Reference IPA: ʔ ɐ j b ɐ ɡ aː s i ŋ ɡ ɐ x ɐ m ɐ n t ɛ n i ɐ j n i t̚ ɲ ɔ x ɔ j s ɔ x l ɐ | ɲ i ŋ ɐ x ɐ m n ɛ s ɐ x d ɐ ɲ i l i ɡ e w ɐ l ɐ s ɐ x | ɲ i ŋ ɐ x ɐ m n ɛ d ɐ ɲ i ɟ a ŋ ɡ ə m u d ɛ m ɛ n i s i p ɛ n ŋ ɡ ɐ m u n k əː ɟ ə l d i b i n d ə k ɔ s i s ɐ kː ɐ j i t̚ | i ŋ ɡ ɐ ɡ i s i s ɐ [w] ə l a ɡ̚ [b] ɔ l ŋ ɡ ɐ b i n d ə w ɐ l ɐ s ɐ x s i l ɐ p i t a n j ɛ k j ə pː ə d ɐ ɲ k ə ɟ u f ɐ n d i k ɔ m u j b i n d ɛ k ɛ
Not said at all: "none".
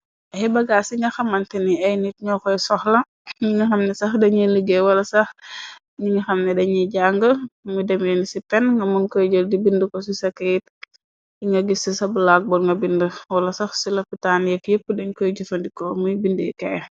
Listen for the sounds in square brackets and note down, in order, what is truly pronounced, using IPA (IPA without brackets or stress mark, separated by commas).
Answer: b, b